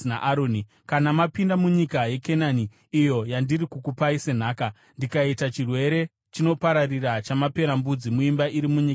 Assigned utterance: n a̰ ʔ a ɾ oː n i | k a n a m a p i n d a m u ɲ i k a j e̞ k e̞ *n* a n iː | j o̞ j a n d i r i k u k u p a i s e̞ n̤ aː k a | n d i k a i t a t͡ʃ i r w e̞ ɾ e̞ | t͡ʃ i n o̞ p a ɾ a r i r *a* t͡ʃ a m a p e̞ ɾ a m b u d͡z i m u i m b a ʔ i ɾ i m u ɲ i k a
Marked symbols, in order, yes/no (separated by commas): yes, yes